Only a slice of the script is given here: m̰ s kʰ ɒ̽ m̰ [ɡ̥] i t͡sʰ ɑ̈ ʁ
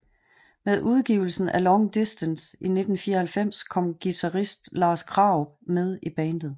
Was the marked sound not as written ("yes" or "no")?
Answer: no